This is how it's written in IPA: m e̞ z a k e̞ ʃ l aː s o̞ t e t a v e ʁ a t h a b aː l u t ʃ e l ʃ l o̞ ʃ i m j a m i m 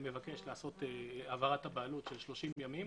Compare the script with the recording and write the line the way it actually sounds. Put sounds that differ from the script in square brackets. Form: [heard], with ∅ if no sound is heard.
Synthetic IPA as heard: m e̞ [v] a k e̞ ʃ l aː s o̞ t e [∅] a v [a] ʁ a t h a b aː l u t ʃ e l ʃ l o̞ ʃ i m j a m i m